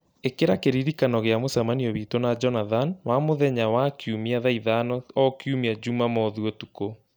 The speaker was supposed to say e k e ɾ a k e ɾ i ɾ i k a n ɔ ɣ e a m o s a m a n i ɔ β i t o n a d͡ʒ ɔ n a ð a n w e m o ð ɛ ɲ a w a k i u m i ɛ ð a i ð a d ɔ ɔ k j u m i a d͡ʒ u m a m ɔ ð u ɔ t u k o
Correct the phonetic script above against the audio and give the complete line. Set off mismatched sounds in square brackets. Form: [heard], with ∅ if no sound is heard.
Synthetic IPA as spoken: e k e ɾ a k e ɾ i ɾ i k a n ɔ ɣ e a m o s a m a n i ɔ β i t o n a d͡ʒ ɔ n a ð a n w [a] m o ð ɛ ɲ a w a k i u m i [a] ð a i ð a [n] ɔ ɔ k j u m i a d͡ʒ u m a m ɔ ð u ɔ t u k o